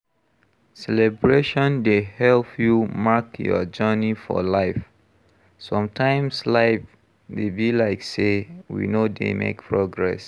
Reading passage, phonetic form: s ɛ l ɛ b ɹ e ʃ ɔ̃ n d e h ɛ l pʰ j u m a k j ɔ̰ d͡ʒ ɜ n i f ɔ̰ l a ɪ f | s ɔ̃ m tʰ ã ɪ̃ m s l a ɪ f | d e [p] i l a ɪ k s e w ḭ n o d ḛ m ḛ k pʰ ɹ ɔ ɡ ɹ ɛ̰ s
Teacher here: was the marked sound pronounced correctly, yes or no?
no